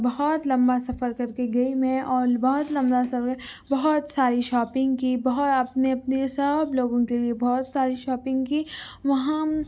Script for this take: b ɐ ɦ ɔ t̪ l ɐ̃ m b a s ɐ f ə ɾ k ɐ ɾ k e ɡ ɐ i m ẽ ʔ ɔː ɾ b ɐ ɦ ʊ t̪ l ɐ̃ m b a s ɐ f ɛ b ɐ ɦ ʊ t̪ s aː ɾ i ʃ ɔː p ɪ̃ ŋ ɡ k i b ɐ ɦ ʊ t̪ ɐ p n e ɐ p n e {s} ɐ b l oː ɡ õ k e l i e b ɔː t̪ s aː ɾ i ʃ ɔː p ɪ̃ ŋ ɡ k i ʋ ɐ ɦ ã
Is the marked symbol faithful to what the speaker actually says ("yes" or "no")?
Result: yes